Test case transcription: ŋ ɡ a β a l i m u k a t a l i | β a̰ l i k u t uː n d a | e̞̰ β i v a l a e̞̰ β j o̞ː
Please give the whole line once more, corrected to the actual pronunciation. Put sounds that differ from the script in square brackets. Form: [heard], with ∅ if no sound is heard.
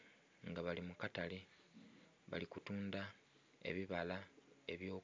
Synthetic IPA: ŋ ɡ a β a l i m u k a t a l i | β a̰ l i k u t uː n d a | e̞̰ β i [β] a l a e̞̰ β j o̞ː

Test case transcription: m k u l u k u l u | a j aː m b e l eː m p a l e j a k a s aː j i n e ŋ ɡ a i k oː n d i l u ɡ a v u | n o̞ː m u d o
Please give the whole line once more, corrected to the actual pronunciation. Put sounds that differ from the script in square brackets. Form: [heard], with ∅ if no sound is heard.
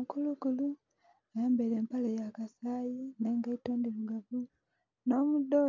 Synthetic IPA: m k u l u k u l u | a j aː m b e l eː m p a l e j a k a s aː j i n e ŋ ɡ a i [t] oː n d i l u ɡ a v u | n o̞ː m u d o

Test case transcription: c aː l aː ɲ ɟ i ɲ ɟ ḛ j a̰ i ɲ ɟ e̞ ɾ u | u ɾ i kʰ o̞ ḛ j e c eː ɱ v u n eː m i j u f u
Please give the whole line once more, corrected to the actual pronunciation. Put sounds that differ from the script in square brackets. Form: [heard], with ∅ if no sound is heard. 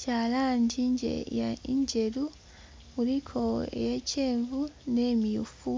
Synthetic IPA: c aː l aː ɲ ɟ i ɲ ɟ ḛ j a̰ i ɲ ɟ e̞ ɾ u | u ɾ i kʰ o̞ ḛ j e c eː ɱ v u n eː m i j u f u

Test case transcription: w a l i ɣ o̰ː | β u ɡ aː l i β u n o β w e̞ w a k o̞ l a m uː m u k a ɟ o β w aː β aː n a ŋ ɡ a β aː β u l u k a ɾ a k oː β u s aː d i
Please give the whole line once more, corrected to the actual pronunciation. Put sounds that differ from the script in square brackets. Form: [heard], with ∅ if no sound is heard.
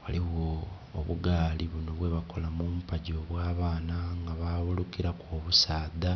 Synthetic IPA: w a l i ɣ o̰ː | β u ɡ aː l i β u n o β w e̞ [β] a k o̞ l a m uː m u [p] a ɟ o β w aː β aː n a ŋ ɡ a β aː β u l u k [i] ɾ a k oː β u s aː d [a]

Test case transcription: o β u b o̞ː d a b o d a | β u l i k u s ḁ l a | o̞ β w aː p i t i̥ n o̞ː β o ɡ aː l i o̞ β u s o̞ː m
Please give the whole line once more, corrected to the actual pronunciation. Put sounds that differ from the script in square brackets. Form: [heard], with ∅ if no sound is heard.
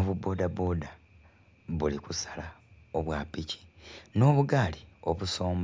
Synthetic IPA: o β u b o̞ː d a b o d a | β u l i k u s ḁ l a | o̞ β w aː p i [c] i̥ n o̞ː β [u] ɡ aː l i o̞ β u s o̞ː m

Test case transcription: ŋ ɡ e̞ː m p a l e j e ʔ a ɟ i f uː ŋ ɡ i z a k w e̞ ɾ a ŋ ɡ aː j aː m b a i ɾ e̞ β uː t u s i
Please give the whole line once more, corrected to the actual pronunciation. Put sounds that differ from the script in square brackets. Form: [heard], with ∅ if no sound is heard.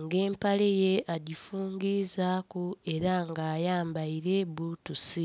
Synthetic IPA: ŋ ɡ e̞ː m p a l e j e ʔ a ɟ i f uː ŋ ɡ i z a k [u] e̞ ɾ a ŋ ɡ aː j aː m b a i ɾ e̞ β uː t u s i

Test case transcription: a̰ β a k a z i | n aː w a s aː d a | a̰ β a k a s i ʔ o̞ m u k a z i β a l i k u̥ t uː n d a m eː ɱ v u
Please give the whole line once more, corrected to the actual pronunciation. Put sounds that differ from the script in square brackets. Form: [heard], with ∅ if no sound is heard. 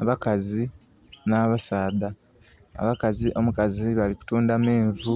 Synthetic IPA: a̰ β a k a z i | n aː [β] a s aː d a | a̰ β a k a [z] i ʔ o̞ m u k a z i β a l i k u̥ t uː n d a m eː ɱ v u

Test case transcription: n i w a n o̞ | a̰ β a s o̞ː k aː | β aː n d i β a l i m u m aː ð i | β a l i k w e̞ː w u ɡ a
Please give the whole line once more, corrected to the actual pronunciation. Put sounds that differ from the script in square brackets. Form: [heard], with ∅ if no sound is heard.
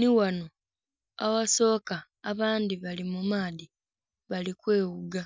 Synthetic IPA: n i w a n o̞ | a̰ [w] a s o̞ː k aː | β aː n d i β a l i m u m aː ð i | β a l i k w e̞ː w u ɡ a

